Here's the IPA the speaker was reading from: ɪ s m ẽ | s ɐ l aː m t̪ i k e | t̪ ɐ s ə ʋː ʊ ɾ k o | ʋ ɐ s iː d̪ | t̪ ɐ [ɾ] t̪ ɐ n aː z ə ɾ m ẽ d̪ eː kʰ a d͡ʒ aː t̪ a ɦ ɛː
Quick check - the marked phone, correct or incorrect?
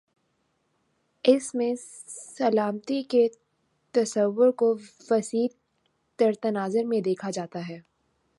correct